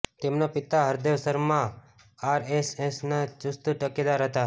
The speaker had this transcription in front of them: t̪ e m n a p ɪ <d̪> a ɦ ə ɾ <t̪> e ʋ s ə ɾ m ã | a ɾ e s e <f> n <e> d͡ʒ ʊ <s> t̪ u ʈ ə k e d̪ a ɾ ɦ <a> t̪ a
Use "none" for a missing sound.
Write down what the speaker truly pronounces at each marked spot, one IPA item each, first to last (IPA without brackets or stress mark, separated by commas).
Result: t̪, d̪, s, a, s, ə